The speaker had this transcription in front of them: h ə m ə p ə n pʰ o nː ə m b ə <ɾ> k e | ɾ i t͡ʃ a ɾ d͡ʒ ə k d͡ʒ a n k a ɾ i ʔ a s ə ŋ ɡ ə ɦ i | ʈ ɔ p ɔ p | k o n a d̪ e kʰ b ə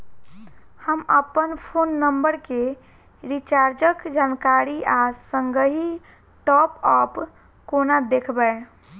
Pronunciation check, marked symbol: correct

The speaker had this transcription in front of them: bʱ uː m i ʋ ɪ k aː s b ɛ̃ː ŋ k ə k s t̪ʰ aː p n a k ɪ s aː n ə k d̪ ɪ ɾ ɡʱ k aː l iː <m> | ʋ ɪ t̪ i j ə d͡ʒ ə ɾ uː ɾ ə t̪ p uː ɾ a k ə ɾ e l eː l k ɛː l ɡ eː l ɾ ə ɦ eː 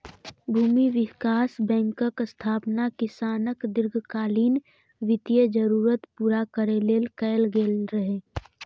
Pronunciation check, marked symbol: incorrect: n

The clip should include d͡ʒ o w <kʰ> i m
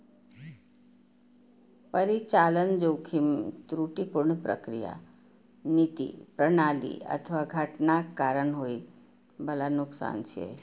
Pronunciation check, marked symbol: correct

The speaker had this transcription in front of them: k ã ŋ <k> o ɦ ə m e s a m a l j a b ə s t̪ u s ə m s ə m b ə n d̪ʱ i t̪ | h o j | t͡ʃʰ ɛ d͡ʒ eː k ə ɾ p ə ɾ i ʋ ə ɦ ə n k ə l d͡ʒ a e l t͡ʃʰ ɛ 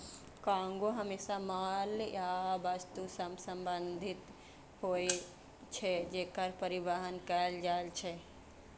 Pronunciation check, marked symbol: incorrect: ɡ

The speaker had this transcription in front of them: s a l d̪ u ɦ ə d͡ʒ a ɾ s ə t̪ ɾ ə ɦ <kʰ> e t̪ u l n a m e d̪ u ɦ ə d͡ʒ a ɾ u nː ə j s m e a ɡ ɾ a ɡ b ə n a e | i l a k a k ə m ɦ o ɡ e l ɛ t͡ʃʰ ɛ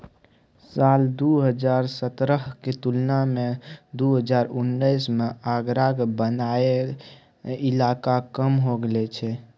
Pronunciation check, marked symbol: incorrect: k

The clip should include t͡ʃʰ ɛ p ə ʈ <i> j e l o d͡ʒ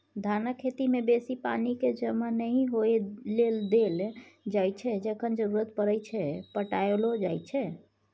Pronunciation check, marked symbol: incorrect: a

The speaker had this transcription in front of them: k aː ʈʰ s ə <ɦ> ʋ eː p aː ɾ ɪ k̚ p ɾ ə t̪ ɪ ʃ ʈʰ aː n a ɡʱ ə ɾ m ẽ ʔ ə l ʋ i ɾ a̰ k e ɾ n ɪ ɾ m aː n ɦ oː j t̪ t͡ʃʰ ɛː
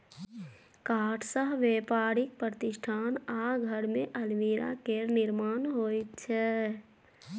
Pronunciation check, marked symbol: correct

